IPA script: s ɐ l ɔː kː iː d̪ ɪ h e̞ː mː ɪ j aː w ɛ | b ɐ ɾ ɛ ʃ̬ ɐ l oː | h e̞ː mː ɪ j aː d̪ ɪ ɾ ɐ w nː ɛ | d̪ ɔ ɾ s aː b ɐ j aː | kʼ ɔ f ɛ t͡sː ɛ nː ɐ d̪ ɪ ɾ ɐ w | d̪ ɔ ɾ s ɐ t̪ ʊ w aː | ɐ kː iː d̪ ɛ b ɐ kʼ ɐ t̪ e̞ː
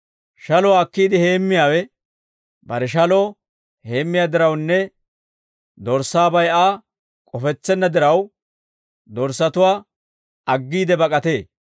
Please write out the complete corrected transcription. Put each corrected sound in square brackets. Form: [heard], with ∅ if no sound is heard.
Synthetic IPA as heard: [ʃ] ɐ l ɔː kː iː d̪ ɪ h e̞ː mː ɪ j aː w ɛ | b ɐ ɾ ɛ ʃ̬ ɐ l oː | h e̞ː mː ɪ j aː d̪ ɪ ɾ ɐ w nː ɛ | d̪ ɔ ɾ s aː b ɐ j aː | kʼ ɔ f ɛ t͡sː ɛ nː ɐ d̪ ɪ ɾ ɐ w | d̪ ɔ ɾ s ɐ t̪ ʊ w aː | ɐ [ɡː] iː d̪ ɛ b ɐ kʼ ɐ t̪ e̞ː